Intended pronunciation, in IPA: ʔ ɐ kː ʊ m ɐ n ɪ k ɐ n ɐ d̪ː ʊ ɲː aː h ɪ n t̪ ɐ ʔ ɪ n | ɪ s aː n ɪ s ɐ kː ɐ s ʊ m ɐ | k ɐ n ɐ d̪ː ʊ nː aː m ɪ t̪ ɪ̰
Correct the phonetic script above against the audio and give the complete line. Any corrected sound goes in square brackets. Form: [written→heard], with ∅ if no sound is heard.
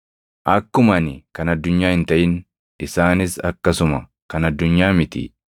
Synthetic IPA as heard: ʔ ɐ kː ʊ m ɐ n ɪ k ɐ n ɐ d̪ː ʊ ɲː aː h ɪ n t̪ ɐ ʔ ɪ n | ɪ s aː n ɪ s ɐ kː ɐ s ʊ m ɐ | k ɐ n ɐ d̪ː ʊ [nː→ɲː] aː m ɪ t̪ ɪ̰